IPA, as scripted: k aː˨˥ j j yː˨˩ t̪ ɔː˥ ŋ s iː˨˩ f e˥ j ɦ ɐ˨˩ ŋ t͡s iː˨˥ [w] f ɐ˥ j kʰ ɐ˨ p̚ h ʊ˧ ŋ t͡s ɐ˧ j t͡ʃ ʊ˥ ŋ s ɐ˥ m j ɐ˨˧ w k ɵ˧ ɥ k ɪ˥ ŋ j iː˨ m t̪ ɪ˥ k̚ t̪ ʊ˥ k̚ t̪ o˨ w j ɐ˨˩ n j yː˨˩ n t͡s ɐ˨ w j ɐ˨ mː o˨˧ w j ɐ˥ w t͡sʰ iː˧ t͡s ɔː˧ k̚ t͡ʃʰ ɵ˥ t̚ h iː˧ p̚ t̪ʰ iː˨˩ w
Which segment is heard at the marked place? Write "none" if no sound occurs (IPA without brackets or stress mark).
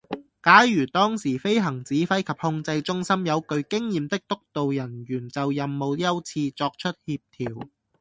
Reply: none